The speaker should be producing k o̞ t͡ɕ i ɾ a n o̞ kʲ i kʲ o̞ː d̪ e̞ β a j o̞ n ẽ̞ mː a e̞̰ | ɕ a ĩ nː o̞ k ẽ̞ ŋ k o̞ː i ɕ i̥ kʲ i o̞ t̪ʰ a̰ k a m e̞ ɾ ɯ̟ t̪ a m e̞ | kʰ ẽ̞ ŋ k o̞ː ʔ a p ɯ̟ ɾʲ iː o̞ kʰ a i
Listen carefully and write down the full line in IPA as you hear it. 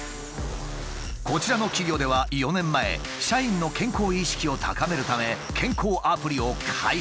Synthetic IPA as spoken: k o̞ t͡ɕ i ɾ a n o̞ kʲ i ɡʲ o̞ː d̪ e̞ β a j o̞ n ẽ̞ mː a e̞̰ | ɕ a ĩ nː o̞ k ẽ̞ ŋ k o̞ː i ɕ i̥ kʲ i o̞ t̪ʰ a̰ k a m e̞ ɾ ɯ̟ t̪ a m e̞ | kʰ ẽ̞ ŋ k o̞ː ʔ a p ɯ̟ ɾʲ i o̞ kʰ a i

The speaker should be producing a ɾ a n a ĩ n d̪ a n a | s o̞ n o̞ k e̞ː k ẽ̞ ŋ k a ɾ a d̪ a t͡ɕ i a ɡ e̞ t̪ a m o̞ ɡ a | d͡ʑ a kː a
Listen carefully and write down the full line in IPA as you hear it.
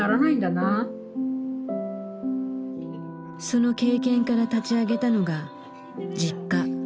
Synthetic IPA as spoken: a ɾ a n a ĩ n d̪ a n a | s o̞ n o̞ k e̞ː k ẽ̞ ŋ k a ɾ a t̪ a t͡ɕ i a ɡ e̞ t̪ a n o̞ ɡ a | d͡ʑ i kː a

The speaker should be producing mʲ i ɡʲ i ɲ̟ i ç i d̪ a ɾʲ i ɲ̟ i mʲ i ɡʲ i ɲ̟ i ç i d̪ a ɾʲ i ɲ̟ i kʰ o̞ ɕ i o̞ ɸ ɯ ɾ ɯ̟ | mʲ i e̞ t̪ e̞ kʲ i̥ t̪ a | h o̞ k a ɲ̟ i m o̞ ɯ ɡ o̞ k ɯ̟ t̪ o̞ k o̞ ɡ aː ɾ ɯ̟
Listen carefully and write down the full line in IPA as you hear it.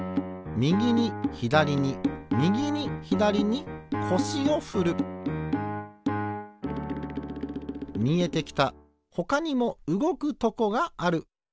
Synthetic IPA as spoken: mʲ i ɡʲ i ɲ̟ i ç i d̪ a ɾʲ i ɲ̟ i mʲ i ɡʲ i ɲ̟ i ç i d̪ a ɾʲ i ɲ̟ i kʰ o̞ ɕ i o̞ ɸ ɯ ɾ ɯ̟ | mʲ i e̞ t̪ e̞ kʲ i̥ t̪ a | h o̞ k a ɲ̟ i m o̞ ɯ ɡ o̞ k ɯ̟ t̪ o̞ k o̞ ɡ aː ɾ ɯ̟

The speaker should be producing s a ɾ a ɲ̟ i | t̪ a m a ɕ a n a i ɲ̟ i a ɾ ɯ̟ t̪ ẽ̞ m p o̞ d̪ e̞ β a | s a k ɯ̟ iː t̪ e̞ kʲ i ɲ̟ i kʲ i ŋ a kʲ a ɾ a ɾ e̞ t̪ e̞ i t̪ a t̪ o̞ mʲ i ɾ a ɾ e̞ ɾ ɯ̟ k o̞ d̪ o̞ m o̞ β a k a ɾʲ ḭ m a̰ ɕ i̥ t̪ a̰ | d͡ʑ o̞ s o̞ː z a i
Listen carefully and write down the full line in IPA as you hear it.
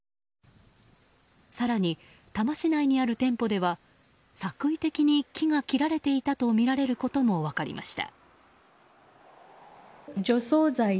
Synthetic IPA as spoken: s a ɾ a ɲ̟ i | t̪ a m a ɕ i n a i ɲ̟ i a ɾ ɯ̟ t̪ ẽ̞ m p o̞ d̪ e̞ β a | s a k ɯ̟ i t̪ e̞ kʲ i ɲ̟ i kʲ i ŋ a kʲ i ɾ a ɾ e̞ t̪ e̞ i t̪ a t̪ o̞ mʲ i ɾ a ɾ e̞ ɾ ɯ̟ k o̞ t̪ o̞ m o̞ β a k a ɾʲ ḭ m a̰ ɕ i̥ t̪ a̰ | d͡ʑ o̞ s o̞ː z a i

